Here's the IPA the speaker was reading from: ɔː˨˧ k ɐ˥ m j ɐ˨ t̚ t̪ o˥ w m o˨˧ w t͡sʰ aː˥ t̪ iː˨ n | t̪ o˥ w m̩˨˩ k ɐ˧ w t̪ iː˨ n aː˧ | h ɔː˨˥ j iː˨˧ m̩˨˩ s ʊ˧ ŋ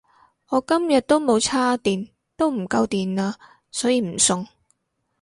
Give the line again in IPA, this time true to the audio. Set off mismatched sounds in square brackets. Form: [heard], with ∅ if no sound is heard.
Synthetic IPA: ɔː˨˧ k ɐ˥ m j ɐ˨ t̚ t̪ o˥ w m o˨˧ w t͡sʰ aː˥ t̪ iː˨ n | t̪ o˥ w m̩˨˩ k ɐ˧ w t̪ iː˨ n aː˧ | [s] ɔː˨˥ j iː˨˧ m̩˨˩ s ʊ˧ ŋ